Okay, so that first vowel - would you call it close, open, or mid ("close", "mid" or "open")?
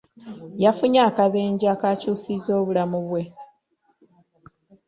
open